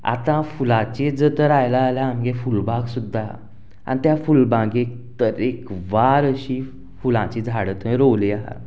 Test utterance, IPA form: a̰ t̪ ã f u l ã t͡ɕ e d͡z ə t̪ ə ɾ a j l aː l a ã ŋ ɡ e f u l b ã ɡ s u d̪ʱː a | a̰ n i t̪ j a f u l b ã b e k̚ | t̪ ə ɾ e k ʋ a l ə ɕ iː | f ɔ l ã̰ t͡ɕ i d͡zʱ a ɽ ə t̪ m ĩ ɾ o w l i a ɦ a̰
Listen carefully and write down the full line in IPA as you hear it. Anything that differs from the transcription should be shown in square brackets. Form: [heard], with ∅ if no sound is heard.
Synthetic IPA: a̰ t̪ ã f u l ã t͡ɕ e d͡z ə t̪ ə ɾ a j l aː l a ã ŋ ɡ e f u l b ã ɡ s u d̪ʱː a | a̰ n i t̪ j a f u l b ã [ɡ] e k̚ | t̪ ə ɾ e k ʋ a [ɾ] ə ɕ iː | f [u] l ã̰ t͡ɕ i d͡zʱ a ɽ ə t̪ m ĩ ɾ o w l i a ɦ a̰